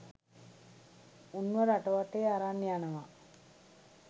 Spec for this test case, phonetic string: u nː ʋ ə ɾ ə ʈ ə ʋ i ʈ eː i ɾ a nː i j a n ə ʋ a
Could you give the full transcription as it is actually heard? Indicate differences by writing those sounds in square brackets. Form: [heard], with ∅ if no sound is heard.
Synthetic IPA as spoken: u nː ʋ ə ɾ [a] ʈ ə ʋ [a] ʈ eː [a] ɾ a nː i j a n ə ʋ a